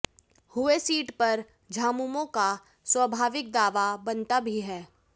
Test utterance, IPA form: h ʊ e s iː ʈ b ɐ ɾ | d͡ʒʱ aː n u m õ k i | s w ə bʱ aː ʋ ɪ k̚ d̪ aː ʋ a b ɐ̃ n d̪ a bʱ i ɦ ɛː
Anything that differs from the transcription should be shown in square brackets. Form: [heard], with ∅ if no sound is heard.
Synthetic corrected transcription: h ʊ e s iː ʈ [p] ɐ ɾ | d͡ʒʱ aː [m] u m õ k [a] | s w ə bʱ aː ʋ ɪ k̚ d̪ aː ʋ a b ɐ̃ n [t̪] a bʱ i ɦ ɛː